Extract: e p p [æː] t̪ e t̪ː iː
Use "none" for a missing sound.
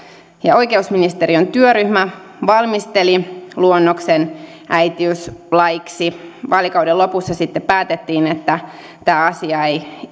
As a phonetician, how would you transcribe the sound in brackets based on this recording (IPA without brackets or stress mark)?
æː